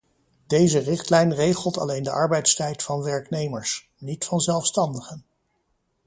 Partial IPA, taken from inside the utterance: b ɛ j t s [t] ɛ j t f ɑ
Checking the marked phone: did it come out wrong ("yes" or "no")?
no